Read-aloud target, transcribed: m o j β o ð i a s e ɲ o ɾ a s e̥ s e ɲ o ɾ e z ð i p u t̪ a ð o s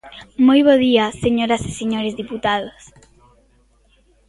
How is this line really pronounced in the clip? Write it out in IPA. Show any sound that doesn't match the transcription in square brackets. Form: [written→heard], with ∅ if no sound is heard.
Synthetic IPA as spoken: m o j β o ð i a s e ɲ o ɾ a s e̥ s e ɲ o ɾ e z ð i p u t̪ a ð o s